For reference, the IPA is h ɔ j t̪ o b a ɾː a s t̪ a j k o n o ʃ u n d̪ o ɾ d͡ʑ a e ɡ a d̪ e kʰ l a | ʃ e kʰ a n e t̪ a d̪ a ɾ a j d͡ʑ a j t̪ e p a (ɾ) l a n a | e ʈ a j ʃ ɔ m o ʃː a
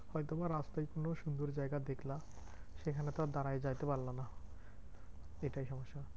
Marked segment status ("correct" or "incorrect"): correct